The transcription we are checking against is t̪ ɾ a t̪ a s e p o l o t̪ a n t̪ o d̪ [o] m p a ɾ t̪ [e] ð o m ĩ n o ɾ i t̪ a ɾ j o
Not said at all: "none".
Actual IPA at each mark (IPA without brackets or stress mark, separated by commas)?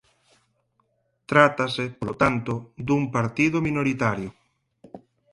u, i